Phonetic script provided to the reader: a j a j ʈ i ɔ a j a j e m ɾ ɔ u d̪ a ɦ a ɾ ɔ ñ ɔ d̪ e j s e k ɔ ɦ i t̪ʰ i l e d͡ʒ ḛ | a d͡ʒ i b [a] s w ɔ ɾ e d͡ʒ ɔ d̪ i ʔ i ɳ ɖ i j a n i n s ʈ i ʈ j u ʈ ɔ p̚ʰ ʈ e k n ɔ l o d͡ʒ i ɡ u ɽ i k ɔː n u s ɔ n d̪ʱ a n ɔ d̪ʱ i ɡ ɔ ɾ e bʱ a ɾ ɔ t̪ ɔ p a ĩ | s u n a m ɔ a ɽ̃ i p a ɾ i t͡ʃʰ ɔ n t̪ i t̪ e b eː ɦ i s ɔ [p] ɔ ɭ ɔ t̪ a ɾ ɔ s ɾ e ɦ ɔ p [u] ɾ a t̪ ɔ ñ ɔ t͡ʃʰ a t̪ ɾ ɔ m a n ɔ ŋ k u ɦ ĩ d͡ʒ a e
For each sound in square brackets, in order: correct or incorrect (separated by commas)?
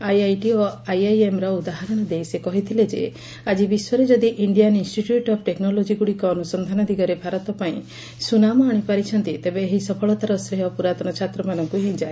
incorrect, incorrect, correct